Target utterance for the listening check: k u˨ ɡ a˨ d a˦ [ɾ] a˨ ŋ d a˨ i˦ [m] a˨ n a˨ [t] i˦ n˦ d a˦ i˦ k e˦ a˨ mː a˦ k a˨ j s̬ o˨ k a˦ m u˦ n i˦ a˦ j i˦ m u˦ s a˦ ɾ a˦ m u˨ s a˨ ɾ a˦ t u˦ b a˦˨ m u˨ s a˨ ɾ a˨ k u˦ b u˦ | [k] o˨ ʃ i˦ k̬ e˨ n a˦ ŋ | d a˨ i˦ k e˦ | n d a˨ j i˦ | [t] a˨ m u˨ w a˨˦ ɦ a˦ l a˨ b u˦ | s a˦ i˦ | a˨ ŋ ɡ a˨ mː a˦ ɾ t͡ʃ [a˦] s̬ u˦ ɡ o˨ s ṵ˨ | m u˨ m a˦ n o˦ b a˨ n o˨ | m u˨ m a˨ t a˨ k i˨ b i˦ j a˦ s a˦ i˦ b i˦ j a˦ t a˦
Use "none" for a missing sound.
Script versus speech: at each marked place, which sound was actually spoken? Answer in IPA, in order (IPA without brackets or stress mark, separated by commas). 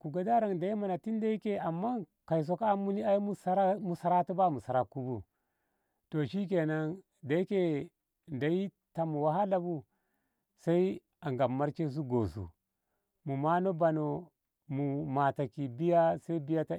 ɾ, m, t, t, t, e˦